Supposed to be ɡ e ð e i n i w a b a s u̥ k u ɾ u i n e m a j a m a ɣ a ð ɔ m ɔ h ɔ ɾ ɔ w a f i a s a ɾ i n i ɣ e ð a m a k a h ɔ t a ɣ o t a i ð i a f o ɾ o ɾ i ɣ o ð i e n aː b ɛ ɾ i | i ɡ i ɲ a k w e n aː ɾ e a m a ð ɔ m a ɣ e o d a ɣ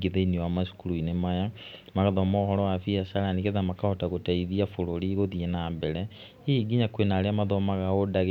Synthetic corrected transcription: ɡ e ð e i n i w a m a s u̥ k u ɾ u i n e m a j a m a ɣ a ð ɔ m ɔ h ɔ ɾ ɔ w a f i a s a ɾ a n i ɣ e ð a m a k a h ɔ t a ɣ o t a i ð i a f o ɾ o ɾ i ɣ o ð i e n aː b ɛ ɾ ɛ | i ɡ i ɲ a k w e n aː ɾ e a m a ð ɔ m a ɣ a o d a ɣ